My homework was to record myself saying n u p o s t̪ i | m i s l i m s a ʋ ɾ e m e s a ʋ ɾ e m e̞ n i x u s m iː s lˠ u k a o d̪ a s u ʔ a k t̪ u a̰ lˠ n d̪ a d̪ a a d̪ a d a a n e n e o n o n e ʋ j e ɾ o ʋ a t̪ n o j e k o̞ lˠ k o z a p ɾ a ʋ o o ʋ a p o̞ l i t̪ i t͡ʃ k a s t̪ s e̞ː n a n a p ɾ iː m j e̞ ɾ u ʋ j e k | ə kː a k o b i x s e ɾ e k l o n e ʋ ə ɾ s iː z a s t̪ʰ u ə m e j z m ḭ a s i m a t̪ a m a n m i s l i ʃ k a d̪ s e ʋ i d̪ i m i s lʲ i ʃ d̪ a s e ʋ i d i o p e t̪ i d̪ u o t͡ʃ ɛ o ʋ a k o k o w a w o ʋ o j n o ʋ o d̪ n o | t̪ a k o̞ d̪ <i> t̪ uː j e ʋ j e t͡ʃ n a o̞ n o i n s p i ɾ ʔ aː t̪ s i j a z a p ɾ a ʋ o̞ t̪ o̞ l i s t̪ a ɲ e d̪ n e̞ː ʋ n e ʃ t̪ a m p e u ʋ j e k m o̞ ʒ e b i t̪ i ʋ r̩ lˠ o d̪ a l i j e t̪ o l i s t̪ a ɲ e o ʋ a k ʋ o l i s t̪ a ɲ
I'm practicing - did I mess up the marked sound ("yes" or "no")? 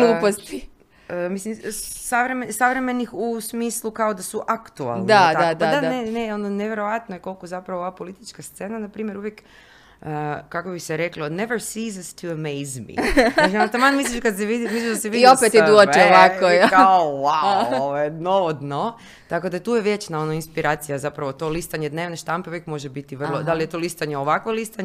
yes